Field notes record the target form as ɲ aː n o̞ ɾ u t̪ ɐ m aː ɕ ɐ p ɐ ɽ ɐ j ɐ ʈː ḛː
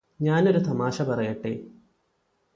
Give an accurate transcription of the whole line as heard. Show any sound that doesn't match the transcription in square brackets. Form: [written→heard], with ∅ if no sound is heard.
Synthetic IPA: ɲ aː n o̞ ɾ u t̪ ɐ m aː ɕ ɐ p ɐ [ɽ→r] ɐ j ɐ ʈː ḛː